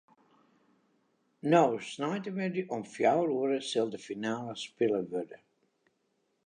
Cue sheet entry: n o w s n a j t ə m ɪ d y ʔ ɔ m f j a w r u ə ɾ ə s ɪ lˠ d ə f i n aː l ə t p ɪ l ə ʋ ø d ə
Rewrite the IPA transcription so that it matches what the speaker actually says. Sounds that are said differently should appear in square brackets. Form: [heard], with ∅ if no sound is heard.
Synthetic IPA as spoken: n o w s n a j t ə m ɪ d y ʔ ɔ m f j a w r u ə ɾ ə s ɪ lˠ d ə f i n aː l ə [s] p ɪ l ə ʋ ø d ə